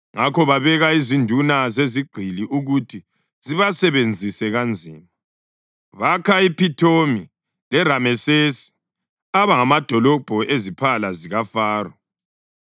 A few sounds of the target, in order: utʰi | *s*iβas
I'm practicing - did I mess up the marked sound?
yes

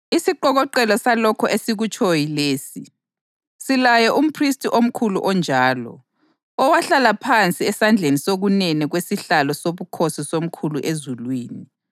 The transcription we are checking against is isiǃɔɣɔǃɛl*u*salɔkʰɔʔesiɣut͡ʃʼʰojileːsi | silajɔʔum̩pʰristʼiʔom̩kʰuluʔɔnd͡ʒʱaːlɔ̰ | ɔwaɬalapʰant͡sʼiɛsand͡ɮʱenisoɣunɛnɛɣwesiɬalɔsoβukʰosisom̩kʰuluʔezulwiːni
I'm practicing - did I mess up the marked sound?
yes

